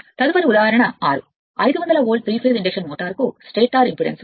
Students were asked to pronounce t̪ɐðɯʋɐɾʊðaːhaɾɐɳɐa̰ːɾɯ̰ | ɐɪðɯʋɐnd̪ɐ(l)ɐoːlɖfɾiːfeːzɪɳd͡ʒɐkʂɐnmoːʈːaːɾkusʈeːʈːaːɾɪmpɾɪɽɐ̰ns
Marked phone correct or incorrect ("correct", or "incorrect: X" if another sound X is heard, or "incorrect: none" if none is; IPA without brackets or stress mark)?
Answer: correct